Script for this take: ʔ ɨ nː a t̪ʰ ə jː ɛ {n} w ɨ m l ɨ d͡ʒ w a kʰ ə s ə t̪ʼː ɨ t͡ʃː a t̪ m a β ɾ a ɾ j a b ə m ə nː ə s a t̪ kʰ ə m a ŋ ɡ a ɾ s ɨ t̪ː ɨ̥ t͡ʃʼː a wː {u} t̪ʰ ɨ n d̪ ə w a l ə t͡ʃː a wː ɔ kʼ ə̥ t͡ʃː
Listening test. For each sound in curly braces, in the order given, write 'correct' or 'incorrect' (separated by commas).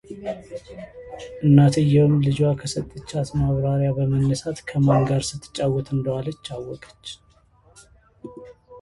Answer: incorrect, incorrect